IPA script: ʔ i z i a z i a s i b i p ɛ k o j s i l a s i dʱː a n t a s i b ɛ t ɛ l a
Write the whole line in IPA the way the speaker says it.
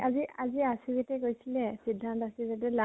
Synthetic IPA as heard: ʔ a z i a z i a s i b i t ɛ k o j s i l ɛ s i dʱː a n t a s i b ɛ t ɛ l a

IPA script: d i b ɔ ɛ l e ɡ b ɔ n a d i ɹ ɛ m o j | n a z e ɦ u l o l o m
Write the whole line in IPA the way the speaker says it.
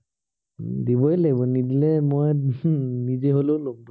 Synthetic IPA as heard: d i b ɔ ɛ l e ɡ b ɔ n i d i l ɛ m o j | n i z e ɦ o l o l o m

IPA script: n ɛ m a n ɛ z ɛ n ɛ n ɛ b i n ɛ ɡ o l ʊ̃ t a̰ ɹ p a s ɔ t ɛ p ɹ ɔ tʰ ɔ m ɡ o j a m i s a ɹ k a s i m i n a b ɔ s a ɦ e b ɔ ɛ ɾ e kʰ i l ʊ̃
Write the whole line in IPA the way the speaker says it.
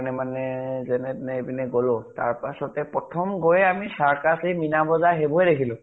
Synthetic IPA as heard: n ɛ m a n ɛ z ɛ n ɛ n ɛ b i n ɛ ɡ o l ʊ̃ t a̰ ɹ p a s ɔ t ɛ p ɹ ɔ tʰ ɔ m ɡ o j a m i s a ɹ k a s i m i n a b ɔ z a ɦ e b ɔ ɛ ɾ e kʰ i l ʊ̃

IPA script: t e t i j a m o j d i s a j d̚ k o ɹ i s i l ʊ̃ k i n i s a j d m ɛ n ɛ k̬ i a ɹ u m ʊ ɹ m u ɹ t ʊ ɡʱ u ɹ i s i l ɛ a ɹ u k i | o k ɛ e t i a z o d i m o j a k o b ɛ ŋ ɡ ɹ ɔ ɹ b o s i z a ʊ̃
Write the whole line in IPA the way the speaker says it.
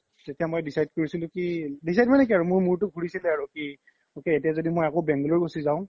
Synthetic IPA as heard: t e t i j a m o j d i s a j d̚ k o ɹ i s i l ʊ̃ k i d i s a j d m a n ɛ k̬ i a ɹ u m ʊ ɹ m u ɹ t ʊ ɡʱ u ɹ i s i l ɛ a ɹ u k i | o k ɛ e t i a z o d i m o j a k o b ɛ ŋ ɡ l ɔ ɹ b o s i z a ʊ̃

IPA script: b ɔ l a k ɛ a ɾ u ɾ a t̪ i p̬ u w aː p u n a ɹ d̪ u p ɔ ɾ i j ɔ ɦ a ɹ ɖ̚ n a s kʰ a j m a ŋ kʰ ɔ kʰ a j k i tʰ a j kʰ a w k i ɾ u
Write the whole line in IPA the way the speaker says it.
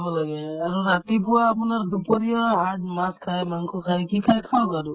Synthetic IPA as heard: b ɔ l a ɡ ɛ a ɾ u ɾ a t̪ i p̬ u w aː p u n a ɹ d̪ u p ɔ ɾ i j ɔ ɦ a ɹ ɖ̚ m a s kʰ a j m a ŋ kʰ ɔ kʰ a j k i kʰ a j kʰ a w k a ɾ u

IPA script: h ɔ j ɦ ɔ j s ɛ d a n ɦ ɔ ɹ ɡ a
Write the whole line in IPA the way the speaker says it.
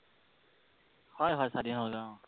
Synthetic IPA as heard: h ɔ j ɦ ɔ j s a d i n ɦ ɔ l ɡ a

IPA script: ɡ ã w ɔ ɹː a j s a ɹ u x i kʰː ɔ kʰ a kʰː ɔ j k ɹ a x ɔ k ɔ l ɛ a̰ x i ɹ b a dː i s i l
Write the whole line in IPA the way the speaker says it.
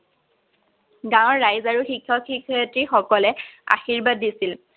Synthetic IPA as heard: ɡ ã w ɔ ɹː a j z a ɹ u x i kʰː ɔ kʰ i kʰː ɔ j t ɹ i x ɔ k ɔ l ɛ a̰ x i ɹ b a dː i s i l

